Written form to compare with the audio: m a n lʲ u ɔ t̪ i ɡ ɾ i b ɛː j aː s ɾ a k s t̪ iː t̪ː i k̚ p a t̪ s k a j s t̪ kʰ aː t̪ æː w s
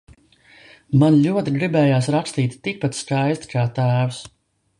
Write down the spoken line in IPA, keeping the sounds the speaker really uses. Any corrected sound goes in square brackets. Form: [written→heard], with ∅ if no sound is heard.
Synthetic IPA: m a n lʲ u ɔ t̪ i ɡ ɾ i b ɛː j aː s ɾ a k s t̪ iː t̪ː i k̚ p a t̪ s k a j s t̪ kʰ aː t̪ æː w s